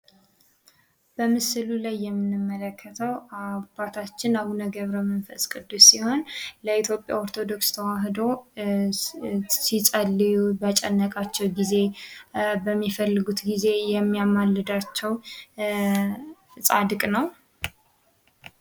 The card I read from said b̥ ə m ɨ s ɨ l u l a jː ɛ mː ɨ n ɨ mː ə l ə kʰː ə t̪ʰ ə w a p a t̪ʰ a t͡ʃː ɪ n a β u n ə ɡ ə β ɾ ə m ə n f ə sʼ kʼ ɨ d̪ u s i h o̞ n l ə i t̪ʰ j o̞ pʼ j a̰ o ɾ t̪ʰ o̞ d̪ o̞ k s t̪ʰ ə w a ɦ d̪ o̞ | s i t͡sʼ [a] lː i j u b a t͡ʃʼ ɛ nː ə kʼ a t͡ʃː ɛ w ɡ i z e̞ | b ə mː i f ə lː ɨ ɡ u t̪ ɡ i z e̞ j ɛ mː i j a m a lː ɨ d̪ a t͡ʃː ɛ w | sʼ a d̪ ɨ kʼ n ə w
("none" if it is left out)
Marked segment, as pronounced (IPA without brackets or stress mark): ə